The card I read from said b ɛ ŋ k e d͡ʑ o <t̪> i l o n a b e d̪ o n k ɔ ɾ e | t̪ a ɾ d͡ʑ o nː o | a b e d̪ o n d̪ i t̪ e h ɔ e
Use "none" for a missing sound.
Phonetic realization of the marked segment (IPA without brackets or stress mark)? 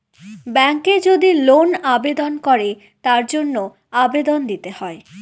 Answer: d̪